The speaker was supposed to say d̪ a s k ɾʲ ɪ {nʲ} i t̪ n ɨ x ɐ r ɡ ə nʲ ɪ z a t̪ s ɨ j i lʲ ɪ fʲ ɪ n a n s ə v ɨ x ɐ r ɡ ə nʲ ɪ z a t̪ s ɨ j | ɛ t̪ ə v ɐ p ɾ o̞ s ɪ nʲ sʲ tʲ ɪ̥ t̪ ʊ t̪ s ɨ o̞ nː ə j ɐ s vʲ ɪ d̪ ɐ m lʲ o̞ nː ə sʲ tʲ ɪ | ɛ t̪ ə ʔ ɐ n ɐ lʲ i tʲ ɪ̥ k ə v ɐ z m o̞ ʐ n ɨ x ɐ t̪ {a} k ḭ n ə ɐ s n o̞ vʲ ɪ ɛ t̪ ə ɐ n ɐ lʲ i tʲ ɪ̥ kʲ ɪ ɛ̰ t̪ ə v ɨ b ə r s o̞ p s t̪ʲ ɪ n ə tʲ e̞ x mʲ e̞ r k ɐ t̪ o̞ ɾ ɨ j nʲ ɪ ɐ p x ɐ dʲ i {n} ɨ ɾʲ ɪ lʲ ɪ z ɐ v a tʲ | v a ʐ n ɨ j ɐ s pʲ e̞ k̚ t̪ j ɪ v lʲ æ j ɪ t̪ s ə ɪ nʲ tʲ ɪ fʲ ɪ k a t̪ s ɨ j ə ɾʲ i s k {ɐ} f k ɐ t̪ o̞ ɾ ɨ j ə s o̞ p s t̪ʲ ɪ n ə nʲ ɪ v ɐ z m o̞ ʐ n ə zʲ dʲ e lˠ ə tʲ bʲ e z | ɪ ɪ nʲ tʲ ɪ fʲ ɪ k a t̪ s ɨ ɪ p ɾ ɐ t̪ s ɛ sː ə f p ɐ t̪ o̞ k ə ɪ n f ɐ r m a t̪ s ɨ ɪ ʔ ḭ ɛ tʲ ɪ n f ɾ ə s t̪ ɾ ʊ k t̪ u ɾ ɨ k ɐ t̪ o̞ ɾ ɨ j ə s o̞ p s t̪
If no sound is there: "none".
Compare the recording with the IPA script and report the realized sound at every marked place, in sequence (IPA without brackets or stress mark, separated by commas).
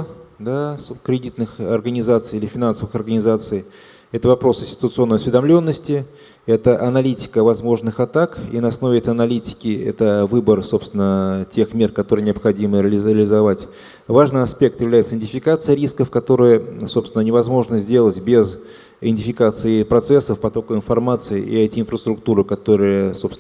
dʲ, a, m, ə